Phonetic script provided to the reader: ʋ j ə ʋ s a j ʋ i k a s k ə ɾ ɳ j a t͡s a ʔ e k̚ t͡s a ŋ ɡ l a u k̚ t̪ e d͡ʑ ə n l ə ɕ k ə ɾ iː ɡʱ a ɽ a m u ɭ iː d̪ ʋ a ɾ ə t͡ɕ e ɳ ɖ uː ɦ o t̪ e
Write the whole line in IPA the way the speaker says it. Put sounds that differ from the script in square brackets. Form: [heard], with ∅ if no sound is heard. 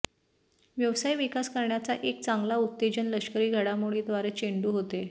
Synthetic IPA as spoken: ʋ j ə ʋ s a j ʋ i k a s k ə ɾ ɳ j a t͡s a ʔ e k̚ t͡s a ŋ ɡ l a u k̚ t̪ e d͡ʑ ə n l ə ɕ k ə ɾ iː ɡʱ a ɽ a m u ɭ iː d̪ ʋ a ɾ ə t͡ɕ e ɳ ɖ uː ɦ o t̪ e